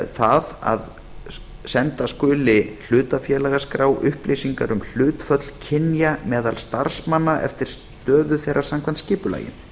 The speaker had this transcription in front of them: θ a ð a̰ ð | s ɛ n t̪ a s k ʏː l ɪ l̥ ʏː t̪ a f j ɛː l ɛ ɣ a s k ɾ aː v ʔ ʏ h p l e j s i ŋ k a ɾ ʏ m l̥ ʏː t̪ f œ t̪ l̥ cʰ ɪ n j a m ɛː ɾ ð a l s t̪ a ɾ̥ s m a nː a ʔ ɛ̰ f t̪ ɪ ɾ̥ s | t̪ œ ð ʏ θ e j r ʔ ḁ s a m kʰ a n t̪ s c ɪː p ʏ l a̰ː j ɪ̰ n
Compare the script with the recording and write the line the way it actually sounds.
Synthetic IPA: θ a ð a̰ ð | s ɛ n t̪ a s k ʏː l ɪ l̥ ʏː t̪ a f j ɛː l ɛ ɣ a s k ɾ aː w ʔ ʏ h p l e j s i ŋ k a ɾ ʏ m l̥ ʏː t̪ f œ t̪ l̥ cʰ ɪ n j a m ɛː ð a l s t̪ a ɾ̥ s m a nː a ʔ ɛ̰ f t̪ ɪ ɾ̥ s | t̪ œː ð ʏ θ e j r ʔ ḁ s a m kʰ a n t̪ s c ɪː p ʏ l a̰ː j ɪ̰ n